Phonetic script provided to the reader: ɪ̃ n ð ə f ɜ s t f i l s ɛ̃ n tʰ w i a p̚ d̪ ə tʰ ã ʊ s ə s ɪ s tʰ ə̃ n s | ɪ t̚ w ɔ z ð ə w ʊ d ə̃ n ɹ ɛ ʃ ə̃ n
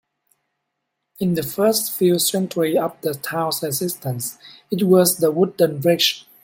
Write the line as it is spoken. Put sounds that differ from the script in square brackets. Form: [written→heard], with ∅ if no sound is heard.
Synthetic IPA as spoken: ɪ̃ n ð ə f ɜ s t f i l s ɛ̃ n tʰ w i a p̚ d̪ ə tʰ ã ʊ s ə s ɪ s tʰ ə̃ n s | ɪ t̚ w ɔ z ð ə w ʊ d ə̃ n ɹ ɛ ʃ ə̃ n

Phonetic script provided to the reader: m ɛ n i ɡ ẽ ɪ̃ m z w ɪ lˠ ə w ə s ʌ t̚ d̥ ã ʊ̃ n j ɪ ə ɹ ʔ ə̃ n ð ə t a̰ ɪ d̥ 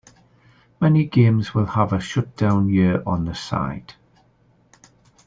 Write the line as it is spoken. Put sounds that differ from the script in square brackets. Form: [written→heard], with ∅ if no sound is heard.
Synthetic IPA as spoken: m ɛ n i ɡ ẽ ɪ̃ m z w ɪ lˠ ə [w→v] ə [s→ʃ] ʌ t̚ d̥ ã ʊ̃ n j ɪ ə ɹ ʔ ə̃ n ð ə [t→s] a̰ ɪ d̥

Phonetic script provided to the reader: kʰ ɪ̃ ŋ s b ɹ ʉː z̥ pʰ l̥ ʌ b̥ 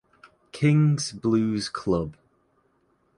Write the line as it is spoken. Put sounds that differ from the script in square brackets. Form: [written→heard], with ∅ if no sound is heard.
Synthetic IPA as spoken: kʰ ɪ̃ ŋ [s→z] b [ɹ→l] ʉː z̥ [pʰ→kʰ] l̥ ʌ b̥

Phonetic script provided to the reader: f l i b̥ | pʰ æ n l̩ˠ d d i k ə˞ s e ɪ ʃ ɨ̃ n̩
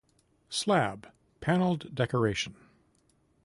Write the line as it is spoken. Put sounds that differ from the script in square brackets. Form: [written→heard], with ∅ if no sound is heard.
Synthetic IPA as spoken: [f→s] l [i→æ] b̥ | pʰ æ n l̩ˠ d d [i→ɛ] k ə˞ [s→∅] e ɪ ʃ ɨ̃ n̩

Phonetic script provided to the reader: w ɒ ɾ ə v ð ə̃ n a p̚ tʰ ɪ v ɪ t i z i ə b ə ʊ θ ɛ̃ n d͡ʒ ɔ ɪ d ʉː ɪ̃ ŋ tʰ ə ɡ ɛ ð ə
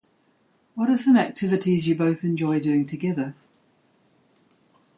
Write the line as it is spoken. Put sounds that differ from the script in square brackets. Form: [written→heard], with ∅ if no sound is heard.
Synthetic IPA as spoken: w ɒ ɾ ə [v→z] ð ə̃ n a [p̚→k̚] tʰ ɪ v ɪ t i z [i→j] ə b ə ʊ θ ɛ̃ n d͡ʒ ɔ ɪ d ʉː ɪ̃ ŋ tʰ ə ɡ ɛ ð ə

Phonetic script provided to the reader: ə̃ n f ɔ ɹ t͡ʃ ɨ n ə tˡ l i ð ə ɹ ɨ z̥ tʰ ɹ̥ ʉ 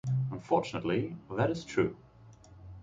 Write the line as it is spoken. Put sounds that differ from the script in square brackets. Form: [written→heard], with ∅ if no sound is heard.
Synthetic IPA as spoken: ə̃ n f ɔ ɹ t͡ʃ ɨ n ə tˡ l i ð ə [ɹ→ɾ] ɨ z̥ tʰ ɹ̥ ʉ

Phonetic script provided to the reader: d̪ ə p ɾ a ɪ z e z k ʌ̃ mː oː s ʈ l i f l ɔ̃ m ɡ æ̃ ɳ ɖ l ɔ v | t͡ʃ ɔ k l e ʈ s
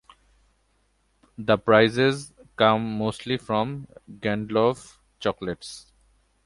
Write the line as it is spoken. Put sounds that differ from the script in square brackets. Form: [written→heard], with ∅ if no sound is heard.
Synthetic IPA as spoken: d̪ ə p ɾ a ɪ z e z k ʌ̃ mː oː s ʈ l i f [l→ɾ] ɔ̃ m ɡ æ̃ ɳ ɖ l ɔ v | t͡ʃ ɔ k l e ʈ s

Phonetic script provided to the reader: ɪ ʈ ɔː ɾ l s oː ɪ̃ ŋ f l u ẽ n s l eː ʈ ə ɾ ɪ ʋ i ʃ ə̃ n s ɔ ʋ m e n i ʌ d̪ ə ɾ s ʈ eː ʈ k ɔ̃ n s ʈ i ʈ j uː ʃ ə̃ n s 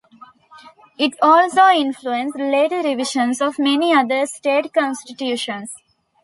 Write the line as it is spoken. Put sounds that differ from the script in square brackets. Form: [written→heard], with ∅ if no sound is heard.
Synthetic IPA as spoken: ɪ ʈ ɔː [ɾ→∅] l s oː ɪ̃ [ŋ→n] f l u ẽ n s l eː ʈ ə ɾ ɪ ʋ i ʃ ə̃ n s ɔ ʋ m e n i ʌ d̪ ə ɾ s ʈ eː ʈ k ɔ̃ n s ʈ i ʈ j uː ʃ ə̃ n s

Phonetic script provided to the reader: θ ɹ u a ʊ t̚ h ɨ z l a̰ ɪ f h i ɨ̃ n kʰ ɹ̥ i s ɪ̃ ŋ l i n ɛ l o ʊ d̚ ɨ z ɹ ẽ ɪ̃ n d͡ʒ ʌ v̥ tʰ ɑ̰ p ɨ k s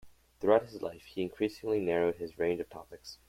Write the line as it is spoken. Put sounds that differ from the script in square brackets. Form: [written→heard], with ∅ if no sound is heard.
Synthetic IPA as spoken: θ ɹ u a ʊ t̚ h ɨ z l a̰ ɪ f h i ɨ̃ n kʰ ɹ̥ i s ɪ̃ ŋ l i n ɛ [l→ɹ] o ʊ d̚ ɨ z ɹ ẽ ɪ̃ n d͡ʒ ʌ v̥ tʰ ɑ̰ p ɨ k s

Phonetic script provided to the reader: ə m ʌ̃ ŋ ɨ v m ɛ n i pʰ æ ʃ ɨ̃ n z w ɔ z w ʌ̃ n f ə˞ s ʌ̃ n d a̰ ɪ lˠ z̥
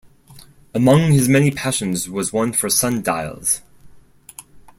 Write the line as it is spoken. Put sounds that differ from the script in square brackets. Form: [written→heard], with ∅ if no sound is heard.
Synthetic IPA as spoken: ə m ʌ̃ ŋ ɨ [v→z] m ɛ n i pʰ æ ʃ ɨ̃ n z w [ɔ→ʌ] z w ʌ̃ n f ə˞ s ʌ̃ n d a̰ ɪ lˠ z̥

